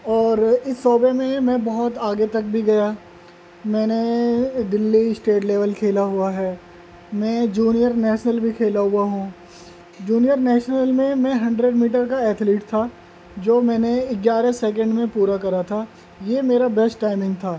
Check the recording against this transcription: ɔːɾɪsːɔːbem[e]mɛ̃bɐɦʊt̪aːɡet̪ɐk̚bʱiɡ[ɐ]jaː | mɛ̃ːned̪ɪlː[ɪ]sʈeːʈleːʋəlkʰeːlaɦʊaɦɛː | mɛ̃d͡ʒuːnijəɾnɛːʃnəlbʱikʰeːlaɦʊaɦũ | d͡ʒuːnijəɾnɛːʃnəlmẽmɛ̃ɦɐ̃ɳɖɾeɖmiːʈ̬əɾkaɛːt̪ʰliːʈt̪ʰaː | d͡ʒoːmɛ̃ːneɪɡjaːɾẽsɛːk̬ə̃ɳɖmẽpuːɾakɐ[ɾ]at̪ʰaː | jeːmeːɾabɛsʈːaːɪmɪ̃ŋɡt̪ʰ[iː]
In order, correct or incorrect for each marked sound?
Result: incorrect, correct, incorrect, correct, incorrect

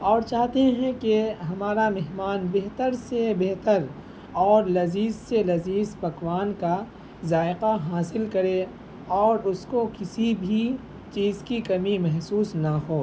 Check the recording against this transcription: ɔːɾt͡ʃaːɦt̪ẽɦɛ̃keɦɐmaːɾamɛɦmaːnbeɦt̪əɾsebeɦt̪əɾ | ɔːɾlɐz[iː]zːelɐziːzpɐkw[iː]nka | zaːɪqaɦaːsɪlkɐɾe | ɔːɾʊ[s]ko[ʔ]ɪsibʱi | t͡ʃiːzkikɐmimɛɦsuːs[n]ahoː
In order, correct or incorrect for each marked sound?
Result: correct, incorrect, correct, incorrect, correct

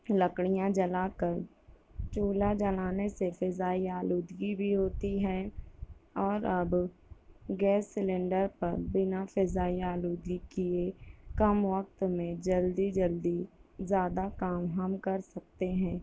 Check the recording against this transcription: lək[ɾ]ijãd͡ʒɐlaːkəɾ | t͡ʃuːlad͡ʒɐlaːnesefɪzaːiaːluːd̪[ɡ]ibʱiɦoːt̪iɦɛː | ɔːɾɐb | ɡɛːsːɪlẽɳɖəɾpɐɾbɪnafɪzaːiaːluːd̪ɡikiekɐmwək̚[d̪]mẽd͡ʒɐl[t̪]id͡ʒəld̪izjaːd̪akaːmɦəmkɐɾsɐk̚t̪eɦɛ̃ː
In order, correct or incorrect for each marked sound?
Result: incorrect, correct, incorrect, incorrect

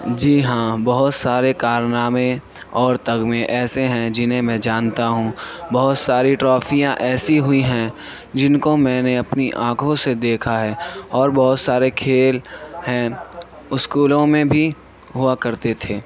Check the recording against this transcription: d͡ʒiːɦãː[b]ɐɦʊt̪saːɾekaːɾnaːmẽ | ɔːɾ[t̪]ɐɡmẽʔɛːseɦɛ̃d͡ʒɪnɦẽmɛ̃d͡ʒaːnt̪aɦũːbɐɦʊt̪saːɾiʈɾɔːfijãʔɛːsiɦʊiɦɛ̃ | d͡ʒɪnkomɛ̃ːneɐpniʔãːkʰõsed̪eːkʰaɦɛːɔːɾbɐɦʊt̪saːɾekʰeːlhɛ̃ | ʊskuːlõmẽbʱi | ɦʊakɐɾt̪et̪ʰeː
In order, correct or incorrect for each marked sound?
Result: correct, correct

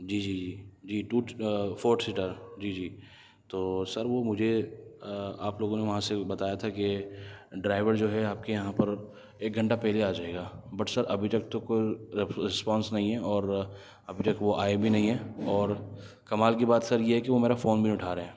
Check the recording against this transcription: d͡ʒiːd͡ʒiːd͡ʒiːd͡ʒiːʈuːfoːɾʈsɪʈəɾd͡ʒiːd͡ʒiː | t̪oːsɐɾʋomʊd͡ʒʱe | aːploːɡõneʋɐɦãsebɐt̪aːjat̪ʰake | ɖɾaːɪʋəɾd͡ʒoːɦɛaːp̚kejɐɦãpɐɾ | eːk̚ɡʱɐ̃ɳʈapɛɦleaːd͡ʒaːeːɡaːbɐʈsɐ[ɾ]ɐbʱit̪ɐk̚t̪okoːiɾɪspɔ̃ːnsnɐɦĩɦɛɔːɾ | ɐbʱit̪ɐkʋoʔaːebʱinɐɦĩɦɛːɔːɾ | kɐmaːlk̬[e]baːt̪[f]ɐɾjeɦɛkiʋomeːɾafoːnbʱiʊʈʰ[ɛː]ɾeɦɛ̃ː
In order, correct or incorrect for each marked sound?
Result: correct, incorrect, incorrect, incorrect

